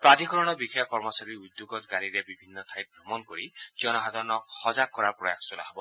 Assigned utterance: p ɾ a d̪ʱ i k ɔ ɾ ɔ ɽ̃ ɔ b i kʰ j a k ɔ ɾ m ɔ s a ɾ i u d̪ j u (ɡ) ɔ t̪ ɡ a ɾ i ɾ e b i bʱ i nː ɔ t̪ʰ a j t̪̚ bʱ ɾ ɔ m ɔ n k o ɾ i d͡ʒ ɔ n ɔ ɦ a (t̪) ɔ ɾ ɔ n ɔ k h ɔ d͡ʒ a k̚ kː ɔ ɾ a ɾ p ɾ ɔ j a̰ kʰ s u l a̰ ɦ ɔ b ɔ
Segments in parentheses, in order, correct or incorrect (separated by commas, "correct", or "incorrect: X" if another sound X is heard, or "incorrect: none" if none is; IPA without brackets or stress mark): correct, incorrect: d̪